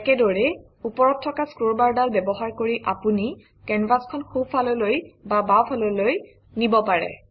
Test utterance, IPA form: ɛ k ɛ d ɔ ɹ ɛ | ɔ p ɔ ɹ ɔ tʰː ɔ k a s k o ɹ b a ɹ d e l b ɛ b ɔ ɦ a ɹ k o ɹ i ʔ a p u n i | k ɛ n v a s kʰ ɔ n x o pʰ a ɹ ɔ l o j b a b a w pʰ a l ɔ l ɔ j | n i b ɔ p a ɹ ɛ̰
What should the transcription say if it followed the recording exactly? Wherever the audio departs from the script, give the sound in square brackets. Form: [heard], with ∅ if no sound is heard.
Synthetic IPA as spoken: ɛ k ɛ d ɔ ɹ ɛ | [u] p ɔ ɹ ɔ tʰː ɔ k a s k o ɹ b a ɹ d [a] l b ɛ b ɔ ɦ a ɹ k o ɹ i ʔ a p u n i | k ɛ n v a s kʰ ɔ n x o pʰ a [l] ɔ l o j b a b a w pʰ a l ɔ l [o] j | n i b ɔ p a ɹ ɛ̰

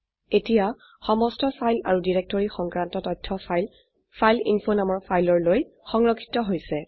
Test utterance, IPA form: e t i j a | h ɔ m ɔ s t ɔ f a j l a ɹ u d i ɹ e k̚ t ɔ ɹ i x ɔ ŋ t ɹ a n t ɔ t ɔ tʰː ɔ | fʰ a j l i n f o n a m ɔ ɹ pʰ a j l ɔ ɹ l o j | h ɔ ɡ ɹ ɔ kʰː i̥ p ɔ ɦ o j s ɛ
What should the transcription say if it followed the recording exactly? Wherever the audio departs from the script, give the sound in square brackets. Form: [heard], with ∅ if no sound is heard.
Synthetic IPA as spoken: e t i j a | [x] ɔ m ɔ s t ɔ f a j l a ɹ u d i ɹ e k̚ t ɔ ɹ i x ɔ ŋ [k] ɹ a n t ɔ t ɔ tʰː ɔ | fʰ a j l i n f o n a m ɔ ɹ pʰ a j l ɔ ɹ l o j | [x] ɔ [ŋ] ɹ ɔ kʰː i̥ [t] ɔ ɦ o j s ɛ

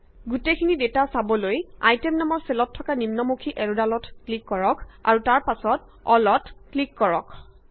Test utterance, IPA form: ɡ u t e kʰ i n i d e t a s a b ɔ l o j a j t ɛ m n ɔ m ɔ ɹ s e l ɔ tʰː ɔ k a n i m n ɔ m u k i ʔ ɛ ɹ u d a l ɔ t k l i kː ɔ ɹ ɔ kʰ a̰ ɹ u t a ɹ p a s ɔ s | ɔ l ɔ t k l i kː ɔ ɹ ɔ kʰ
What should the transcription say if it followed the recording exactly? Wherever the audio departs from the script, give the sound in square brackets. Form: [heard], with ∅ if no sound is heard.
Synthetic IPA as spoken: ɡ u t e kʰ i n i d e t a s a b ɔ l o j a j t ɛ m n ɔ m ɔ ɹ s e l ɔ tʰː ɔ k a n i m n ɔ m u [kʰ] i ʔ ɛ ɹ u d a l ɔ t k l i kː ɔ ɹ ɔ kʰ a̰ ɹ u t a ɹ p a s ɔ [t] | ɔ l ɔ t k l i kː ɔ ɹ ɔ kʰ

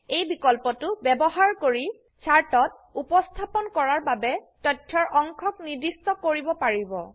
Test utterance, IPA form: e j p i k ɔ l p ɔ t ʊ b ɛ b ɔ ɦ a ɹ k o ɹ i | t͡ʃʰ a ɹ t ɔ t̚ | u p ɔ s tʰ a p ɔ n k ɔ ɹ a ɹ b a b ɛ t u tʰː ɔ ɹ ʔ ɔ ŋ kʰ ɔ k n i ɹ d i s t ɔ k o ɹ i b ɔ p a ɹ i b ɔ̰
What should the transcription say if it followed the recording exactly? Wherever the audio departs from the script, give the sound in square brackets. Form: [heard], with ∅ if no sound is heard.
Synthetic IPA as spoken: e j [b] i k ɔ l p ɔ t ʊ b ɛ b ɔ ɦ a ɹ k o ɹ i | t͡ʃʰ a ɹ t ɔ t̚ | u p ɔ s tʰ a p ɔ n k ɔ ɹ a ɹ b a b ɛ t [ɔ] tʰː ɔ ɹ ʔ ɔ ŋ kʰ ɔ k n i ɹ d i s t ɔ k o ɹ i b ɔ p a ɹ i b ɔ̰

